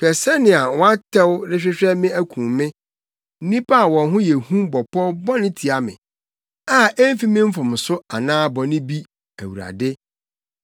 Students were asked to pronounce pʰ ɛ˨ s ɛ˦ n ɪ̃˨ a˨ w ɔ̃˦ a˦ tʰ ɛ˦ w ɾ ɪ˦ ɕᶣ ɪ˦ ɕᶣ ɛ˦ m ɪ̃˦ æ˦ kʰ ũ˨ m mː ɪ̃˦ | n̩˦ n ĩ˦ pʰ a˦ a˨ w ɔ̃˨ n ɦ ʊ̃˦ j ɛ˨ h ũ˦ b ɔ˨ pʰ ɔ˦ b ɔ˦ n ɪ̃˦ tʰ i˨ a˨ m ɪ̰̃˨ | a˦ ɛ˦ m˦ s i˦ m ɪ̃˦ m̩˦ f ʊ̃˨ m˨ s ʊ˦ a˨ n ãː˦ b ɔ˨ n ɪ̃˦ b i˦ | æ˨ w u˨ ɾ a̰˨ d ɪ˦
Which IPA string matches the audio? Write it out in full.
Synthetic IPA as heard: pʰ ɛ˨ s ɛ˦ n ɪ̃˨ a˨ w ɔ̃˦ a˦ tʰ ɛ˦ w ɾ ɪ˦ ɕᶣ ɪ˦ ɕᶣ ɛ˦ m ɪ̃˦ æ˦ kʰ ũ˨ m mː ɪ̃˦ | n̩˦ n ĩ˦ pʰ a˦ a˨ w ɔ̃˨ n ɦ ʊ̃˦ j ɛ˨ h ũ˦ b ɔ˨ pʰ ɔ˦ b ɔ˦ n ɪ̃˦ tʰ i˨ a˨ m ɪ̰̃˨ | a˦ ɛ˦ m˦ f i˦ m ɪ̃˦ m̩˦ f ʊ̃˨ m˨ s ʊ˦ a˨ n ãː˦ b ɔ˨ n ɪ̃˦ b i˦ | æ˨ w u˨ ɾ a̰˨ d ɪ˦